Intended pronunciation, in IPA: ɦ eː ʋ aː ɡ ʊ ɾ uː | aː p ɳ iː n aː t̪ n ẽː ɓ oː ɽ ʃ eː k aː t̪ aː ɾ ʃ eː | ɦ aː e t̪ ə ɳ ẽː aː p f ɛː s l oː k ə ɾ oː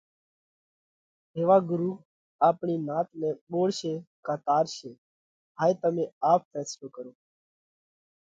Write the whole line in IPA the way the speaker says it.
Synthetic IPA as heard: ɦ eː ʋ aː ɡ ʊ ɾ uː | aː p ɳ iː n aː t̪ n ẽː ɓ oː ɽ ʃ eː k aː t̪ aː ɾ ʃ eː | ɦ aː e t̪ ə m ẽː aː p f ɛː s l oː k ə ɾ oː